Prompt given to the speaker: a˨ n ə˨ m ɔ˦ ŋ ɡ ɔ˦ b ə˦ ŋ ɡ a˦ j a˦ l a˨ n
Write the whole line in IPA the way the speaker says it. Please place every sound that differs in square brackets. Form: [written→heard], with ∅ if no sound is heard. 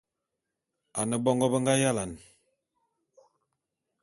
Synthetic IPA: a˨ n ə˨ [m→b] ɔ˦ ŋ ɡ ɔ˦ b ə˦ ŋ ɡ a˦ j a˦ l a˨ n